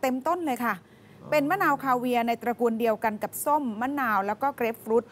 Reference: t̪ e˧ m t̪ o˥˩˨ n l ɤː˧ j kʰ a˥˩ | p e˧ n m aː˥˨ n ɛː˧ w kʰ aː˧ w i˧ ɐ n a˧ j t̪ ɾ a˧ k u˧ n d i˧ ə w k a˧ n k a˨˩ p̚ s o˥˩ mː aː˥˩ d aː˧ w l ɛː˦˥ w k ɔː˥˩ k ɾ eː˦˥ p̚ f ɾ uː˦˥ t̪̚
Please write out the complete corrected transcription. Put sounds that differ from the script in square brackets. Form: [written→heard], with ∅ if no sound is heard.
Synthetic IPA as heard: t̪ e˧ m t̪ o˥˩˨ n l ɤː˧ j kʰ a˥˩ | p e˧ n m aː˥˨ n [ɛː˧→aː˧] w kʰ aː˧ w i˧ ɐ n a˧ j t̪ ɾ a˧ k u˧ n d i˧ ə w k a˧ n k a˨˩ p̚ s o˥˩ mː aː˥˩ [d→n] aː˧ w l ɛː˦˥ w k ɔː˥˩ k ɾ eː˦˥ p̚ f ɾ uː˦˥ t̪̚